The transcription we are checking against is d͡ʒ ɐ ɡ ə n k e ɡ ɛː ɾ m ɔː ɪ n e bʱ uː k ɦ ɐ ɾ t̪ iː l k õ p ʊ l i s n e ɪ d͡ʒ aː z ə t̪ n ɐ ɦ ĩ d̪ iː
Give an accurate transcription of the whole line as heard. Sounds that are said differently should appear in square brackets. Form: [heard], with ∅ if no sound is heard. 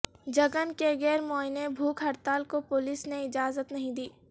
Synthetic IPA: d͡ʒ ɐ ɡ ə n k e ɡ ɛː ɾ m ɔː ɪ n e bʱ uː k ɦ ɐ ɾ t̪ [aː] l k [o] p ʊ l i s n e ɪ d͡ʒ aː z ə t̪ n ɐ ɦ ĩ d̪ iː